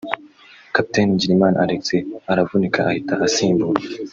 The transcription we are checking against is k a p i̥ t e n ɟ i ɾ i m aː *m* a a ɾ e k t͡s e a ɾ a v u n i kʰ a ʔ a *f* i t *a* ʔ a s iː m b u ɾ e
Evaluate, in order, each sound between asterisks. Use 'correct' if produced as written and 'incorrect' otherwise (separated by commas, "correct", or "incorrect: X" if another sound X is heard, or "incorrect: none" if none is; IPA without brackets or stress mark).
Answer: incorrect: n, incorrect: h, correct